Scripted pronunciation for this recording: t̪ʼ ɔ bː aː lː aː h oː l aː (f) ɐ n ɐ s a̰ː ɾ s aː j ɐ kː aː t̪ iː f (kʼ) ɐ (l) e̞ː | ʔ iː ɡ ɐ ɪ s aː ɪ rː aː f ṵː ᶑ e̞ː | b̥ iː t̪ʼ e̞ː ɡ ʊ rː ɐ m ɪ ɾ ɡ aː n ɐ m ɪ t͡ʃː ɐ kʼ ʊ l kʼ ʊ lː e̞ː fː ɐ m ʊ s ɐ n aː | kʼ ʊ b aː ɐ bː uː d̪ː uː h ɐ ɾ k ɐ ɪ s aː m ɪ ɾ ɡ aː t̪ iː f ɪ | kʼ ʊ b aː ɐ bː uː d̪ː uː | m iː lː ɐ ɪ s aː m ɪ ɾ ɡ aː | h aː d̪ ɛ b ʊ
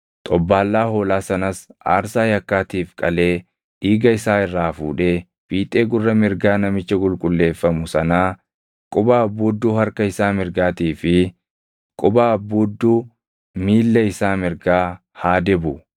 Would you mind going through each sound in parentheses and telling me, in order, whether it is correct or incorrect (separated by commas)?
incorrect, correct, correct